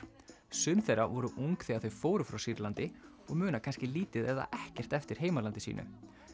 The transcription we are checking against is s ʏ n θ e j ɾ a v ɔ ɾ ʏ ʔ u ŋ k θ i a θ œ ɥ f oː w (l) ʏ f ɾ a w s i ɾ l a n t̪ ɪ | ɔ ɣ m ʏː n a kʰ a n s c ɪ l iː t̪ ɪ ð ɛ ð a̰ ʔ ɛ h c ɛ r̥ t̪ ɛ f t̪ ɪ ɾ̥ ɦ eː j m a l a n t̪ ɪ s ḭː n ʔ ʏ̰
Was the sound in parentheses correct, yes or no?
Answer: no